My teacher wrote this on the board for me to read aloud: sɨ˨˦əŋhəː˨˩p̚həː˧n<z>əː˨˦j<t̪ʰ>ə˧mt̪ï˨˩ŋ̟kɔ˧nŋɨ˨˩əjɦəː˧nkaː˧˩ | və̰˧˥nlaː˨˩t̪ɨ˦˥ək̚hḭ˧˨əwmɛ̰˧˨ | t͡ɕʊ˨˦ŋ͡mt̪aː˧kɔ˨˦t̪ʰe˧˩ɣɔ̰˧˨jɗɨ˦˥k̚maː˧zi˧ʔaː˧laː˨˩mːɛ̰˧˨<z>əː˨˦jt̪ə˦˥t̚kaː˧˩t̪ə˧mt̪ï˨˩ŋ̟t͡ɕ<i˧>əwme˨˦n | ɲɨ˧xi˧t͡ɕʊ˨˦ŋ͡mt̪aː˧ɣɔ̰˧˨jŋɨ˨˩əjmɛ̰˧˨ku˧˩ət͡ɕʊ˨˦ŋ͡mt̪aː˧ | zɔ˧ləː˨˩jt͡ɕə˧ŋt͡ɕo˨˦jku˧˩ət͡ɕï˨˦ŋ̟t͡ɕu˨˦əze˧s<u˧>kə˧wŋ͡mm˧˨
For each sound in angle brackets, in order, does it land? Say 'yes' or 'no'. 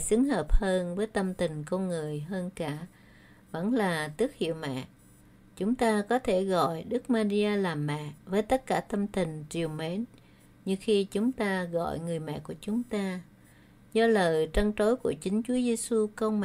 no, no, no, no, yes

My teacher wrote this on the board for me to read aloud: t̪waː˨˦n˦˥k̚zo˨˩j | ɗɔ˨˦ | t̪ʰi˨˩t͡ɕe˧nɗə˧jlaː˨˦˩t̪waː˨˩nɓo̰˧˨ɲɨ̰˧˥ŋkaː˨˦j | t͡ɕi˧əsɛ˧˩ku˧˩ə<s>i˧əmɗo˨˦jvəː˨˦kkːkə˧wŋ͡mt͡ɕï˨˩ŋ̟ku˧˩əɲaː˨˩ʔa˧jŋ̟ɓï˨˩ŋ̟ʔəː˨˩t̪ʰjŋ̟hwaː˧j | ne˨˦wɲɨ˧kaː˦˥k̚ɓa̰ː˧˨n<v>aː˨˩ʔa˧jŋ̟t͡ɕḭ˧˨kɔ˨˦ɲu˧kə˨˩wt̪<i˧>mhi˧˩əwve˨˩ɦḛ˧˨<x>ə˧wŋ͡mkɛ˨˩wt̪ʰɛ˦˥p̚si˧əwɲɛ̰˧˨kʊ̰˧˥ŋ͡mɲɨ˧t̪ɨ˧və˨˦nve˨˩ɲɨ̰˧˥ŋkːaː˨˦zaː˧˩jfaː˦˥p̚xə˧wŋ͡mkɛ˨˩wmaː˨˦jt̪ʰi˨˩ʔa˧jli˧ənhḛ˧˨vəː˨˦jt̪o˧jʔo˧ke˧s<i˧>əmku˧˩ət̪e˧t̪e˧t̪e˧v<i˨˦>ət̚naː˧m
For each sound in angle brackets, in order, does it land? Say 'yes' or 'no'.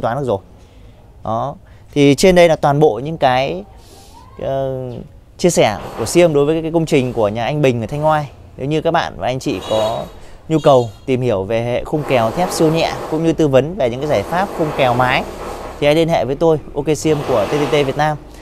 yes, yes, no, yes, yes, no

